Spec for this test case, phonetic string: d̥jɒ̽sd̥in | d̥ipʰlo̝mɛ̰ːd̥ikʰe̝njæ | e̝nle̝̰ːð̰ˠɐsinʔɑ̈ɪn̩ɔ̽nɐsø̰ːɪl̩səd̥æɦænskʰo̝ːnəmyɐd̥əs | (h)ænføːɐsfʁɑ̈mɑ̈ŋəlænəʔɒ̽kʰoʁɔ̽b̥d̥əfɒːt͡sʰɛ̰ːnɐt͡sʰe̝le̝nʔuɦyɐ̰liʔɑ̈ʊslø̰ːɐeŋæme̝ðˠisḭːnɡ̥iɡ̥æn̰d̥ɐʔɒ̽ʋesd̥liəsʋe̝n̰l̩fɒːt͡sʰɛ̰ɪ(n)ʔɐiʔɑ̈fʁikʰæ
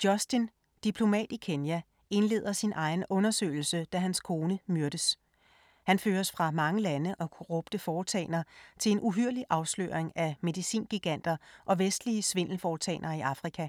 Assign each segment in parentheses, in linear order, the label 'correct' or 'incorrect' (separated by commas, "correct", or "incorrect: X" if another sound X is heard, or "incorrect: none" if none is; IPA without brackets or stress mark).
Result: correct, correct